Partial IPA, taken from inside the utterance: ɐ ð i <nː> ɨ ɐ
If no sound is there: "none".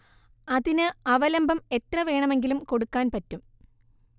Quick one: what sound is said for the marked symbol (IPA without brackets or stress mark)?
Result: n